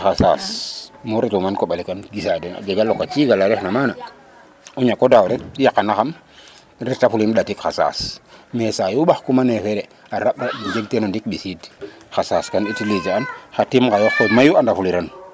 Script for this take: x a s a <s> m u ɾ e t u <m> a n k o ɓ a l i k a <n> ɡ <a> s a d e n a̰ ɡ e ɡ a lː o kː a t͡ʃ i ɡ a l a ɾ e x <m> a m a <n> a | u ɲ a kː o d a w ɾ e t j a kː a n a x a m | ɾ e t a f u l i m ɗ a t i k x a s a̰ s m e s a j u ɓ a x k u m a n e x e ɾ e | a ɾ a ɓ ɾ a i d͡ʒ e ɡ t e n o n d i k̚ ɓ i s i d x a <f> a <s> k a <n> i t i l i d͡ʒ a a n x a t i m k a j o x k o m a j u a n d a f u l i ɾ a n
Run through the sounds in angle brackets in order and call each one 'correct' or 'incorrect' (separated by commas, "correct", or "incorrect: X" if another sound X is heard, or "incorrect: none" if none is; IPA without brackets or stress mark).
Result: correct, correct, correct, incorrect: i, incorrect: n, correct, incorrect: s, correct, correct